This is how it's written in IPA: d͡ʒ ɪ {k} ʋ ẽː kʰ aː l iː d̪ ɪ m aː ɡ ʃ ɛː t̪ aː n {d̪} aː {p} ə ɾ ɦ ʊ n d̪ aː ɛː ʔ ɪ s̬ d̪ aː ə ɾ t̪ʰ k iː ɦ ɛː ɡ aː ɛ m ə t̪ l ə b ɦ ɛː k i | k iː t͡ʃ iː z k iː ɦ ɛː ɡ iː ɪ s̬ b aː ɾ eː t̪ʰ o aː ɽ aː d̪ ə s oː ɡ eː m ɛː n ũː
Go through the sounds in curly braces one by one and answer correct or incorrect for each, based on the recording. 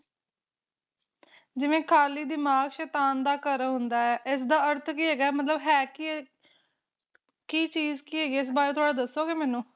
incorrect: none, correct, incorrect: k

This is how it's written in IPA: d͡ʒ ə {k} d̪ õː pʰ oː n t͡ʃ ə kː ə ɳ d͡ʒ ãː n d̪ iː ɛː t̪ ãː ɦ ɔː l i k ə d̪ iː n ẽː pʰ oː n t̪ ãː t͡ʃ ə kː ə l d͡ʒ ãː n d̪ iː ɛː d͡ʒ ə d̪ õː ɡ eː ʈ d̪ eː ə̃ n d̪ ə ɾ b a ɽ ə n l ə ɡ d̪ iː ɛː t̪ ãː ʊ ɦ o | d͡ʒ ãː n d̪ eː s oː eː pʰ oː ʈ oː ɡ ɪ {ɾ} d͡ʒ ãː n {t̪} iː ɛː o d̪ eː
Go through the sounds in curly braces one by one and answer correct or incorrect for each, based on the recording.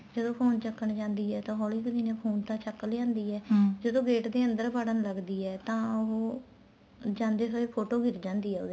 incorrect: none, correct, incorrect: d̪

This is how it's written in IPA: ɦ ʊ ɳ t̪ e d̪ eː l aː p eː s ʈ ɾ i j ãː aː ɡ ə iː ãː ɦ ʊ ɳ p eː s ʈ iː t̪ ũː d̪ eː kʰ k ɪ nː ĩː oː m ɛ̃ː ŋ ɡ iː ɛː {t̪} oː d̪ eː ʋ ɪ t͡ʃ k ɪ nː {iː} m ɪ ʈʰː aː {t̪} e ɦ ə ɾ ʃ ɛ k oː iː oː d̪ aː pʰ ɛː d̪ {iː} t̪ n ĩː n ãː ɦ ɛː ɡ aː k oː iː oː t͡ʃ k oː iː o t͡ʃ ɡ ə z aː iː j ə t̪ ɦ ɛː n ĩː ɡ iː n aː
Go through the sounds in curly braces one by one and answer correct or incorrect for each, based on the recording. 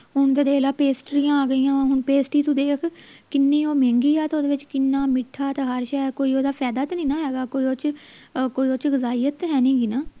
correct, incorrect: aː, correct, incorrect: aː

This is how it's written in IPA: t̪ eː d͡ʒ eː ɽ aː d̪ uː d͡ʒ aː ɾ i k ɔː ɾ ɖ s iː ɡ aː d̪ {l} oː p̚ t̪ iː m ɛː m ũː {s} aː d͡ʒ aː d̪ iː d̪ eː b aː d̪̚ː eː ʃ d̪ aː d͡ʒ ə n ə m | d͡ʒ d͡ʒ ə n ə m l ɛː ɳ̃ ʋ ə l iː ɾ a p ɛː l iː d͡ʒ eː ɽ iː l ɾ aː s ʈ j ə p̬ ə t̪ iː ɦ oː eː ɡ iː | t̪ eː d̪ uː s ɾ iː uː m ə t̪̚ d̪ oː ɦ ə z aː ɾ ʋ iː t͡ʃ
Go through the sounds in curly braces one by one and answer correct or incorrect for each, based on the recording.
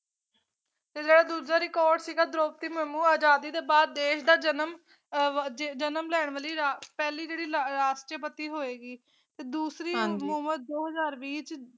incorrect: ɾ, incorrect: none

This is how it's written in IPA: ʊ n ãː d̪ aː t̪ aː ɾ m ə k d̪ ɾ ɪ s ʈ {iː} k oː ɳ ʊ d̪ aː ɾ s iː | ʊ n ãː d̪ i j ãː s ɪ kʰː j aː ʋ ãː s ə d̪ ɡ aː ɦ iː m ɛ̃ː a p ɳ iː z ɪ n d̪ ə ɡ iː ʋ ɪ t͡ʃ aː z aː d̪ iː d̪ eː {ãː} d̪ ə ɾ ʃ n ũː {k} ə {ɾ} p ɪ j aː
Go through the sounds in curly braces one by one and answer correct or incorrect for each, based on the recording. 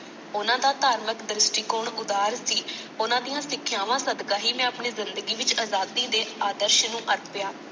correct, incorrect: aː, incorrect: ʔ, correct

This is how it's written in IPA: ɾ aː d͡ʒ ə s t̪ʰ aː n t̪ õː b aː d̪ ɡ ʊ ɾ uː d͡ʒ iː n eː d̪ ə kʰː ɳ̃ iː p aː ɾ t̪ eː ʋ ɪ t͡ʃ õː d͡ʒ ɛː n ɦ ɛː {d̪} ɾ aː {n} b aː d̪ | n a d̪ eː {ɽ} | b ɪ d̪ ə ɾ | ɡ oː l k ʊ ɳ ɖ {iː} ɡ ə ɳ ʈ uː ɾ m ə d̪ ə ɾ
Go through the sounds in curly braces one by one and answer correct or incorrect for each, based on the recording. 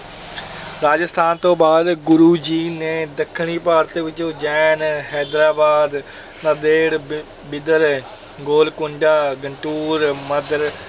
correct, incorrect: none, correct, incorrect: aː

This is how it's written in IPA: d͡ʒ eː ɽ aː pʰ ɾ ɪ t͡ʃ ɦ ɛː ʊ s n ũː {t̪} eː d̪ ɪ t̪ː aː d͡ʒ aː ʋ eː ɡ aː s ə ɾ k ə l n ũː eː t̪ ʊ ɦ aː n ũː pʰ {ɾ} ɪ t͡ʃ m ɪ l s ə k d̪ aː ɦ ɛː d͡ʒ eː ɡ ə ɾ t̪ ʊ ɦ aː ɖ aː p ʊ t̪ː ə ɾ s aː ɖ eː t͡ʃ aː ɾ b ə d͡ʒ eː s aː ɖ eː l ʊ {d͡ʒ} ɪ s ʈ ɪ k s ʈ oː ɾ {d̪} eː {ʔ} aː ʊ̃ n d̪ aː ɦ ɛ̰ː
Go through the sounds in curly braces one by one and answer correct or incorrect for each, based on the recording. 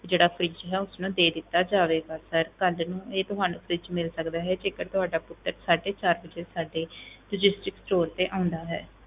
incorrect: d̪, correct, correct, incorrect: t̪, correct

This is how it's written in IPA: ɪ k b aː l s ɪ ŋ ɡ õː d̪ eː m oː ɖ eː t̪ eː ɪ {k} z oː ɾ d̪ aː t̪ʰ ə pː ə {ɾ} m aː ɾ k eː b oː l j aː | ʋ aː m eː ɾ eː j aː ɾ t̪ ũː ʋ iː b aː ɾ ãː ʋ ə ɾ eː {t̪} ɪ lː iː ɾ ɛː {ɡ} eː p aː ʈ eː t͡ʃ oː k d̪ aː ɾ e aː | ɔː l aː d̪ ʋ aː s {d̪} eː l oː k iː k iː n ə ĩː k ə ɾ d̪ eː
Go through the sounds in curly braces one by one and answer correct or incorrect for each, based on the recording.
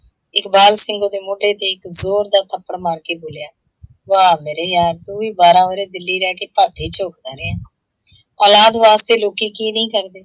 correct, incorrect: ɽ, incorrect: d̪, incorrect: k, incorrect: t̪

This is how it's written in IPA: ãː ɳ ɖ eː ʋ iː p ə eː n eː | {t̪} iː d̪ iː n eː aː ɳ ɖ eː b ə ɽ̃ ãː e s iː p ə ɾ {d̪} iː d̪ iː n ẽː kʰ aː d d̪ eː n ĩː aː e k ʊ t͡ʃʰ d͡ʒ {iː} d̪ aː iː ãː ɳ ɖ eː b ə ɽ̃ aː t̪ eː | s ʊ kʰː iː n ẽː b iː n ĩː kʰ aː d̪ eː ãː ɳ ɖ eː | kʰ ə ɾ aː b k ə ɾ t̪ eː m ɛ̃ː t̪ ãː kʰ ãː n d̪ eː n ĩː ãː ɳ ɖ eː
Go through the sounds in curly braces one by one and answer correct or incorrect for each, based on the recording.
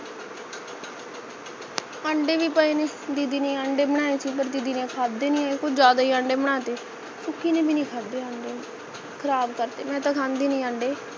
incorrect: d̪, correct, incorrect: aː

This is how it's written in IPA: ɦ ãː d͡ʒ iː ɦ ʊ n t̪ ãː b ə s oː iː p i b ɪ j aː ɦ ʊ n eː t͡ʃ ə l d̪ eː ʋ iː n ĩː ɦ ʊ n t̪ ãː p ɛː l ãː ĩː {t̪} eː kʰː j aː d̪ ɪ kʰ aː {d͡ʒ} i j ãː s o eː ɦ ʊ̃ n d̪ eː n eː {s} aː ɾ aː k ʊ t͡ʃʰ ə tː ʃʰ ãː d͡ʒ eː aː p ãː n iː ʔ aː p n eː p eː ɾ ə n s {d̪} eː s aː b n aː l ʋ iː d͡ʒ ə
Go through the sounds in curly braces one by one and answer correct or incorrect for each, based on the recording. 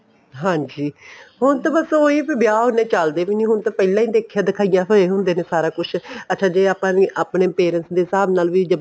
incorrect: d̪, incorrect: none, correct, correct

